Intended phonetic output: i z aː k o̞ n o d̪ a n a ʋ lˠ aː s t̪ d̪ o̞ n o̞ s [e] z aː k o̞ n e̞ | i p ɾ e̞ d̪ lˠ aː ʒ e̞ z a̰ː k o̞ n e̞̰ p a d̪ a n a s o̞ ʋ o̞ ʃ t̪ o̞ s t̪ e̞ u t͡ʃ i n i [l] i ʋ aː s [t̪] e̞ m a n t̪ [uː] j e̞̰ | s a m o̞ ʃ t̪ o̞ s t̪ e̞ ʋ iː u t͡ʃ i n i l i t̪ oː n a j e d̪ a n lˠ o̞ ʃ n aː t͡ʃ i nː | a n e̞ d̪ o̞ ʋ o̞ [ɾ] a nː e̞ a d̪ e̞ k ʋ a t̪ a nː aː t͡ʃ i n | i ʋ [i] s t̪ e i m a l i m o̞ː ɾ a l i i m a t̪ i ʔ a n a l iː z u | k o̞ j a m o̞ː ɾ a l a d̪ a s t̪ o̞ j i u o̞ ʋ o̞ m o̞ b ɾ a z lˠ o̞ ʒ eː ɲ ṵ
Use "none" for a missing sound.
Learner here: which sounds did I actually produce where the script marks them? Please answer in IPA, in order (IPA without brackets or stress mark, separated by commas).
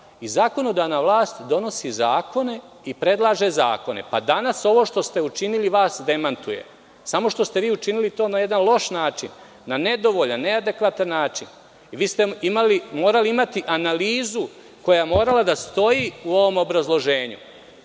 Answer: i, l, d̪, u, ʎ, iː